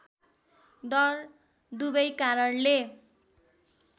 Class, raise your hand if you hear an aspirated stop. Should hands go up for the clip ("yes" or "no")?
no